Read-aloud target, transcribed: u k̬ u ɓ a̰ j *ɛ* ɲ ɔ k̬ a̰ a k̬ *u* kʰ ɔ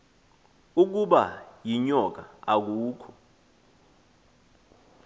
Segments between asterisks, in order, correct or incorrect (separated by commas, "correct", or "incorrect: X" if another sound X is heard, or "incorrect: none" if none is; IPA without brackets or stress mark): incorrect: i, incorrect: uː